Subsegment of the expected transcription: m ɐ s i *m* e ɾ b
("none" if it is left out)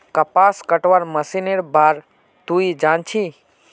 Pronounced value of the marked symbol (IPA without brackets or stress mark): n